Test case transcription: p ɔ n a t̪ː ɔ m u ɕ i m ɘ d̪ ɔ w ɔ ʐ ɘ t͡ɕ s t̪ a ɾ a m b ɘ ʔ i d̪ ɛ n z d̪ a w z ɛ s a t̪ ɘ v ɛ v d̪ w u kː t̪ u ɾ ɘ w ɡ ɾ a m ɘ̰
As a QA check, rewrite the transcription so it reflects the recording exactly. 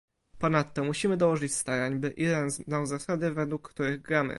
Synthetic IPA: p ɔ n a t̪ː ɔ m u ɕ i m ɘ d̪ ɔ w ɔ ʐ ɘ t͡ɕ s t̪ a ɾ a ɲ b ɘ ʔ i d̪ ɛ n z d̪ a w z a s a d̪ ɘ v ɛ d̪ w u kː t̪ u ɾ ɘ ɣ ɡ ɾ a m ɘ̰